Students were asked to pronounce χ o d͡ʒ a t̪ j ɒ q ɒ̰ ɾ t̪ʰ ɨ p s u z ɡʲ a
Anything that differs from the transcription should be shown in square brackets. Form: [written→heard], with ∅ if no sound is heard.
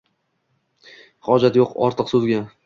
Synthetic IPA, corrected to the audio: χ [o→ɒ] d͡ʒ a t̪ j [ɒ→o] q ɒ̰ ɾ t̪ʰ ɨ [p→q] s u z ɡʲ a